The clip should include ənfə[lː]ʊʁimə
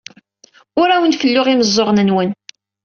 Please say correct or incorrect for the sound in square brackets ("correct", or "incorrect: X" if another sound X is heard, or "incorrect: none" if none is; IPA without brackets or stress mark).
correct